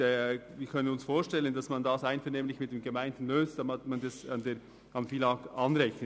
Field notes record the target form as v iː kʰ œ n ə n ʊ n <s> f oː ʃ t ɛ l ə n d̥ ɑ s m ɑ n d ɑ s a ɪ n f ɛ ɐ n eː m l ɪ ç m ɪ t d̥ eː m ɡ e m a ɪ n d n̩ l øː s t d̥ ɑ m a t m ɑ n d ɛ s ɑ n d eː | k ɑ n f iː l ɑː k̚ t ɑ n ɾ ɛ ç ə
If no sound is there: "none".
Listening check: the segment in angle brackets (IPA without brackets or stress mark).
s